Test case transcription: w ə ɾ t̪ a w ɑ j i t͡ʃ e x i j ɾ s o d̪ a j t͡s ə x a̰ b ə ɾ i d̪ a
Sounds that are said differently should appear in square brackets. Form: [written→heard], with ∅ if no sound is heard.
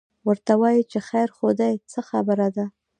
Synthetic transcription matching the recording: w ə ɾ t̪ a w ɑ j i t͡ʃ e x [i→a] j ɾ [s→x] o d̪ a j t͡s ə x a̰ b ə ɾ [i→a] d̪ a